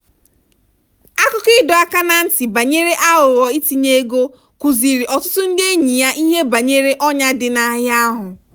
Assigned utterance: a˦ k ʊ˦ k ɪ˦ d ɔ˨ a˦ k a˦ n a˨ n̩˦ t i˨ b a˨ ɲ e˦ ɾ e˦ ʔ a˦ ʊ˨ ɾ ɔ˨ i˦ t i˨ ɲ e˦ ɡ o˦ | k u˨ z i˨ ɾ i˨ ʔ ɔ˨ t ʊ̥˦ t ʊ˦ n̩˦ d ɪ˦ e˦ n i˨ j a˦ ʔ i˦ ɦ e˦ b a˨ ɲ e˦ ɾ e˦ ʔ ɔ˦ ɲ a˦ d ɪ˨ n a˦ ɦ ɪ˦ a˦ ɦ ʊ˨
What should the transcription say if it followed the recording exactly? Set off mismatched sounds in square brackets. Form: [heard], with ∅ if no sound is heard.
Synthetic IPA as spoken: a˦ k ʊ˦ k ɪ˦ d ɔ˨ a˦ k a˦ n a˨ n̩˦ t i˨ b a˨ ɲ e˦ ɾ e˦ ʔ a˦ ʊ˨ ɾ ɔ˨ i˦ t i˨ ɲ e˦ ɡ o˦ | k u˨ z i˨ ɾ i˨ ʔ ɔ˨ t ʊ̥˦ t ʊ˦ n̩˦ d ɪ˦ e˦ [ɲ] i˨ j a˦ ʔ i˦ ɦ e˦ b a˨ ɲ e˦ ɾ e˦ ʔ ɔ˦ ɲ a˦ d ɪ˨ n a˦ ɦ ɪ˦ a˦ ɦ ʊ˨